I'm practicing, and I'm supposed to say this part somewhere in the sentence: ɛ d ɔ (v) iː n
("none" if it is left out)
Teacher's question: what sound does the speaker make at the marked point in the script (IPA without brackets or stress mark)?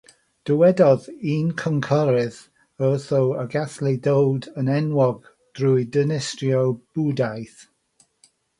ð